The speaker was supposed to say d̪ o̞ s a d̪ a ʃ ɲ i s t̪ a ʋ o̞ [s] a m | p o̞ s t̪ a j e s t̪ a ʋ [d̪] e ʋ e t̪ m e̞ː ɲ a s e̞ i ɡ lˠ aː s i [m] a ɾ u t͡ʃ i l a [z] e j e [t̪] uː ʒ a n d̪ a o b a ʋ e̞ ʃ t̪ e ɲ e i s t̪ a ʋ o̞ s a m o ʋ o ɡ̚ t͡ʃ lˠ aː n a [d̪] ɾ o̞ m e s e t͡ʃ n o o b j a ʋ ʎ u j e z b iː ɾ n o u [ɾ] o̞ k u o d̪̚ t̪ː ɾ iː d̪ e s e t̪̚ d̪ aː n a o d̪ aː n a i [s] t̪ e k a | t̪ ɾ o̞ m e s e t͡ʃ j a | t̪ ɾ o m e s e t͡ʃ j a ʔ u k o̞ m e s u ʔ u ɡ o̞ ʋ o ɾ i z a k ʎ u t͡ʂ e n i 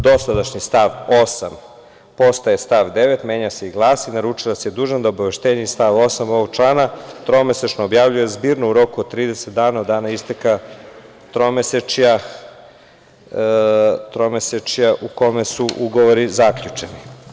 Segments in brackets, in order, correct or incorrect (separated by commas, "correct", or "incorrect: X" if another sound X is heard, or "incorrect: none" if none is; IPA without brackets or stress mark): correct, correct, incorrect: n, incorrect: s, incorrect: d̪, incorrect: t̪, correct, correct